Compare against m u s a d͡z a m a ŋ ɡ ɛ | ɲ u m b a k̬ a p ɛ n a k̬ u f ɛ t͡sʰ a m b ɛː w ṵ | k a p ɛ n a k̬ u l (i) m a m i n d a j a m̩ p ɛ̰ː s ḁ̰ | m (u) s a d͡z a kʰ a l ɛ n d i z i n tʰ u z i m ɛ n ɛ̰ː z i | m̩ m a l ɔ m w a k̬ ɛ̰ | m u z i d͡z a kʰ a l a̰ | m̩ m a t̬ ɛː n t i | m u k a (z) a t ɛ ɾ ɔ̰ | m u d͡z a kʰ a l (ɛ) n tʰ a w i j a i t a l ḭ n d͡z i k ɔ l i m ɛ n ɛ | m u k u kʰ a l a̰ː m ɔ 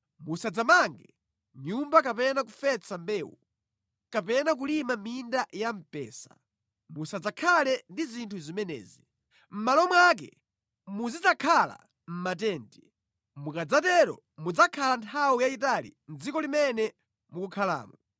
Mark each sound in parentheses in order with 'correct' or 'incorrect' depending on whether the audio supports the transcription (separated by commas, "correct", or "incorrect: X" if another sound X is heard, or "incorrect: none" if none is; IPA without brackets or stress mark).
correct, correct, incorrect: d͡z, incorrect: a